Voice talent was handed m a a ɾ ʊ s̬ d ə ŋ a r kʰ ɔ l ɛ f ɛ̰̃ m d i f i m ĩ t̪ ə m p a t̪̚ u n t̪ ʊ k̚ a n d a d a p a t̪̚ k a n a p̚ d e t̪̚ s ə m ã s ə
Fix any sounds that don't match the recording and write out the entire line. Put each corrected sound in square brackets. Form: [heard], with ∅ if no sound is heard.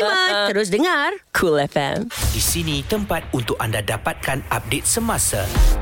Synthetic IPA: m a [ə] ɾ ʊ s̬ d ə ŋ a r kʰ [u] l ɛ f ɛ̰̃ m d i [s] i [n] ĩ t̪ ə m p a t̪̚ u n t̪ ʊ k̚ a n d a d a p a t̪̚ k a n a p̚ d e t̪̚ s ə m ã s [a]